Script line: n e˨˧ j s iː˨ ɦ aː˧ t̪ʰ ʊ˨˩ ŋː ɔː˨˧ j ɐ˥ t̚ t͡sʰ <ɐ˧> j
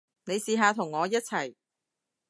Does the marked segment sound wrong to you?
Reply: yes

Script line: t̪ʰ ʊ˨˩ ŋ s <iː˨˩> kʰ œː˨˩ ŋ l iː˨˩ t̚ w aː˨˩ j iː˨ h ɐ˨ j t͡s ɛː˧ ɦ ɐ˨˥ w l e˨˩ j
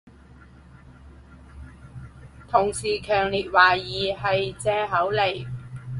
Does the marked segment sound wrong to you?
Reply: no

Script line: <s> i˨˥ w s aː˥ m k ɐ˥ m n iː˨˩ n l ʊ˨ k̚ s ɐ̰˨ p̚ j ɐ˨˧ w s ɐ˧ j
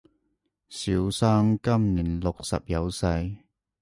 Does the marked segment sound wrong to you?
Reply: no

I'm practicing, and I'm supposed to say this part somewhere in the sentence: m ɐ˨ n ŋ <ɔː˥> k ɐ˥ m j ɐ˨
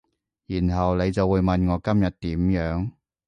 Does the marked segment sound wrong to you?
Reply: yes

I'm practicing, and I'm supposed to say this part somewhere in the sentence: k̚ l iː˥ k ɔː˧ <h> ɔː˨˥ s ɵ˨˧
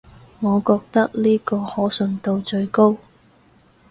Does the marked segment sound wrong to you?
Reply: no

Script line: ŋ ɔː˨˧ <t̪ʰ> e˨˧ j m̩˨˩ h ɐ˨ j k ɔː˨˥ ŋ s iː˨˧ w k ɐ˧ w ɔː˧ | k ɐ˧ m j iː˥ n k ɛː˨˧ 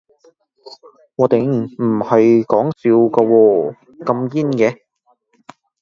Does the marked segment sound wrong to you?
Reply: yes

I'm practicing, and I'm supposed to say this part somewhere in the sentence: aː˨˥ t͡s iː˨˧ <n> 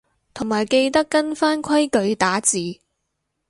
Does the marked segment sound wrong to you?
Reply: yes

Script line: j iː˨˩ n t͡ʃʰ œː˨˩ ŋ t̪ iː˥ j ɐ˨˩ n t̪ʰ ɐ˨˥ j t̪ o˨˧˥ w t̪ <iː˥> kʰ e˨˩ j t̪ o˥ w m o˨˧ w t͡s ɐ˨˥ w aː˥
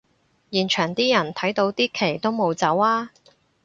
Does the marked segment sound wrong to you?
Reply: no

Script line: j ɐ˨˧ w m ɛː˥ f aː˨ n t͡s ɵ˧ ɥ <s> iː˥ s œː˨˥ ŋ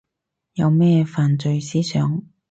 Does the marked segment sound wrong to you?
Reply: no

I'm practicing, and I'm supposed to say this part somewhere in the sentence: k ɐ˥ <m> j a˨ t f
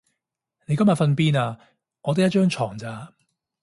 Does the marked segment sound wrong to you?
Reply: no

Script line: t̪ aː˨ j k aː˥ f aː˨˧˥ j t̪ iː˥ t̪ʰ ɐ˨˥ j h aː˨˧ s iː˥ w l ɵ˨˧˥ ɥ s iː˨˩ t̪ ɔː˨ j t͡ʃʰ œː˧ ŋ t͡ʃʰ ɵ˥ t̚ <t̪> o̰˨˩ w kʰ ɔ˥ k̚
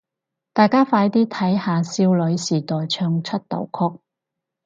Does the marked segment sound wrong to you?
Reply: no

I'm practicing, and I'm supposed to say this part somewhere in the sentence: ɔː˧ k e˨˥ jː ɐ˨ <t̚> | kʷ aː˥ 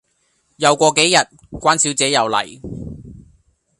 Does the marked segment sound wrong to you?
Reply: no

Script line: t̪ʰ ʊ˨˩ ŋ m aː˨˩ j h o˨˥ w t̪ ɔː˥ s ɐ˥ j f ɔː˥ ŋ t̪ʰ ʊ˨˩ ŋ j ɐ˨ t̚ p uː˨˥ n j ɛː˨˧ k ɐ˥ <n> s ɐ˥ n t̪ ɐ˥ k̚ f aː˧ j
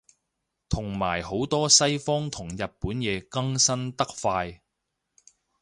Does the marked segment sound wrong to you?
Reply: yes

